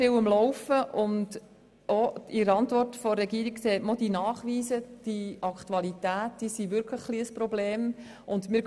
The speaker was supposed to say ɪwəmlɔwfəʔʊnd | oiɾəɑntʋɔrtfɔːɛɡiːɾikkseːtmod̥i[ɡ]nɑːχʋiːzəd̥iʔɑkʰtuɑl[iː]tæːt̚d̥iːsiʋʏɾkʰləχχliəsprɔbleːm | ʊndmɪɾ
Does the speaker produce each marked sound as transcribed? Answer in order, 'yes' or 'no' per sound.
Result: no, no

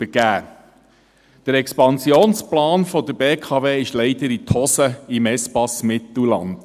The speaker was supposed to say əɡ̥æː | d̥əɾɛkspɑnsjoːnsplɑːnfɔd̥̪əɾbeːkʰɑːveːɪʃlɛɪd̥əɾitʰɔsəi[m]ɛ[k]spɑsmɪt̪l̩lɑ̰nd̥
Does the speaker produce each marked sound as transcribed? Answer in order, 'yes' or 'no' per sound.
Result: yes, no

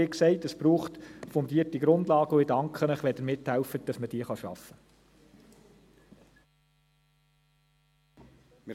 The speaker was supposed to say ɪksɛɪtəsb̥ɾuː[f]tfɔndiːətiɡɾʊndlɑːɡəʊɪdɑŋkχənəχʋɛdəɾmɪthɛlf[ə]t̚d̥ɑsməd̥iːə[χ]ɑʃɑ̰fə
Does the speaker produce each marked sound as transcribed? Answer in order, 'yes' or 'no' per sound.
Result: no, yes, yes

